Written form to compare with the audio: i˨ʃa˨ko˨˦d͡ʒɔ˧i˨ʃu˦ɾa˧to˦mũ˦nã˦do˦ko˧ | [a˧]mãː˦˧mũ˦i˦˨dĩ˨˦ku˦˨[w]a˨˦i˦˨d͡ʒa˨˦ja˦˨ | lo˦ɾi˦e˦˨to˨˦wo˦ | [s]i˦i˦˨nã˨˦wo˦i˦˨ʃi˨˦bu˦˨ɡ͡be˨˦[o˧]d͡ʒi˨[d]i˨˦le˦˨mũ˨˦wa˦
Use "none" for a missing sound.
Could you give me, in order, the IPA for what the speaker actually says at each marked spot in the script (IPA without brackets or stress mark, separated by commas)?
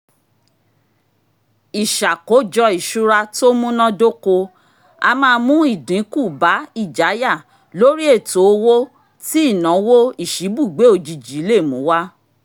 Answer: a˧, b, t, o˧, d͡ʒ